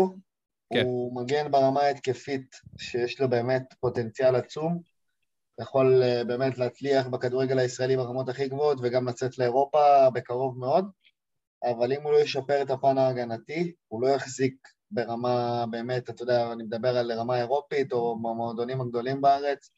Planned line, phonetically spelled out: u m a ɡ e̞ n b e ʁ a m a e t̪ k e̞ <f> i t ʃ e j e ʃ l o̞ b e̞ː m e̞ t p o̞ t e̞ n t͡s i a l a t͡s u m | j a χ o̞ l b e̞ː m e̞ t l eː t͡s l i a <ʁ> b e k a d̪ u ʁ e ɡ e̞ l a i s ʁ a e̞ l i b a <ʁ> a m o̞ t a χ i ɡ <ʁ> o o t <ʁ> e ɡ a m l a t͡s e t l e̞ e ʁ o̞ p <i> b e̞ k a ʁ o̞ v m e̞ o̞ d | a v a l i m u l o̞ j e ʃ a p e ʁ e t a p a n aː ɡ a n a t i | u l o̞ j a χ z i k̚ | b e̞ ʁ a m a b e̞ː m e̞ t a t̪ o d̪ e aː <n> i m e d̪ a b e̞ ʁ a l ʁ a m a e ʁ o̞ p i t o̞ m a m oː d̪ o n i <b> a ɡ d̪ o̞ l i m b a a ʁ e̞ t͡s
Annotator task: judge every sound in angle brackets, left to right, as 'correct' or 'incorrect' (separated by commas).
correct, incorrect, correct, incorrect, incorrect, incorrect, correct, incorrect